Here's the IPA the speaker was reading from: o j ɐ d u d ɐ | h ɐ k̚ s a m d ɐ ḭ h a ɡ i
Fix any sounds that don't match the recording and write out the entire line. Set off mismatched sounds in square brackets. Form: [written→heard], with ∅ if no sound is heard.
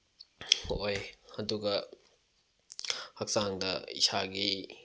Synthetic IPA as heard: o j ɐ d u [d→ɡ] ɐ | h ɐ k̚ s a [m→ŋ] d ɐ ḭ [h→s] a ɡ i

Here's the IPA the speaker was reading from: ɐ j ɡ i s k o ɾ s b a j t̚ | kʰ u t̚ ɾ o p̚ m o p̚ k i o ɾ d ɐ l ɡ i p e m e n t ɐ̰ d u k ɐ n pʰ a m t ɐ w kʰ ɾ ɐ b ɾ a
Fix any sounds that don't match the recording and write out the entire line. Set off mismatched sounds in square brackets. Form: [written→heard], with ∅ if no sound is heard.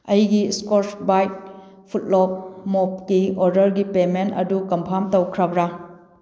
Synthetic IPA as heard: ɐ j ɡ i s k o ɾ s b a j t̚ | [kʰ→pʰ] u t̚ [ɾ→l] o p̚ m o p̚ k i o ɾ d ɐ [l→ɾ] ɡ i p e m e n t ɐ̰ d u k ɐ [n→m] pʰ a m t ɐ w kʰ ɾ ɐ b ɾ a

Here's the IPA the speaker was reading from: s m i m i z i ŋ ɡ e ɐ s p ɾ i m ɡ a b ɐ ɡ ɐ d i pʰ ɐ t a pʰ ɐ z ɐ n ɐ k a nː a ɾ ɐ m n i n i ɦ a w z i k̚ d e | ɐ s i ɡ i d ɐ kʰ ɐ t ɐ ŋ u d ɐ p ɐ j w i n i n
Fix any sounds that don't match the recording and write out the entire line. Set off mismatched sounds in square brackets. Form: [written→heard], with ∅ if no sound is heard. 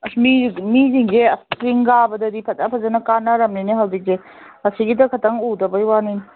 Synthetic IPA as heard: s m i m i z i ŋ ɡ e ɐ s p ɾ i [m→ŋ] ɡ a b ɐ [ɡ→d] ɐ d i pʰ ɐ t a pʰ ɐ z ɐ n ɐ k a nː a ɾ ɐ m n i n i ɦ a w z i k̚ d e | ɐ s i ɡ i d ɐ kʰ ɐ t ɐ ŋ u d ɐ [p→b] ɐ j w [i→a] n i n

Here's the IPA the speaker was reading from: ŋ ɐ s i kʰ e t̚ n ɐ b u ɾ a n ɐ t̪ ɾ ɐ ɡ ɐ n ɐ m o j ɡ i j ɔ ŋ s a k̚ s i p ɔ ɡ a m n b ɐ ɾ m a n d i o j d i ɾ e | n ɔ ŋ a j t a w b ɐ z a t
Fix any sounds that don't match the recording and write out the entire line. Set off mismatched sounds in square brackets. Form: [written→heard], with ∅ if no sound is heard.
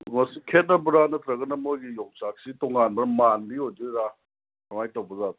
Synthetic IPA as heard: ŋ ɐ s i kʰ e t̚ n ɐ b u ɾ a n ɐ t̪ ɾ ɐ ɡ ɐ n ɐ m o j ɡ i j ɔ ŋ s a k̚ s i [p→t] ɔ [ɡ→ŋ] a [m→∅] n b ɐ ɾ m a n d i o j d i ɾ [e→a] | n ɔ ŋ a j t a w b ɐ z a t

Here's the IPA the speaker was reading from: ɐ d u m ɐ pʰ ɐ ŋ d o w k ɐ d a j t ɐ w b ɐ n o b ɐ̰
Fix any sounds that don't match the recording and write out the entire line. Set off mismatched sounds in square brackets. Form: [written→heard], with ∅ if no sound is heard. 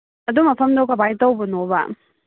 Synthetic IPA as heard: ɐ d u m ɐ pʰ ɐ [ŋ→m] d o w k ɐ [d→b] a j t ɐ w b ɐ n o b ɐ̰

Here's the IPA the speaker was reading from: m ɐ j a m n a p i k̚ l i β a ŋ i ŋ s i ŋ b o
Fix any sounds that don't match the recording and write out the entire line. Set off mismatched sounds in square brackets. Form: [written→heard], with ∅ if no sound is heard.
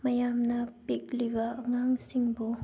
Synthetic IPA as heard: m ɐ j a m n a p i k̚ l i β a ŋ [i→a] ŋ s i ŋ b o

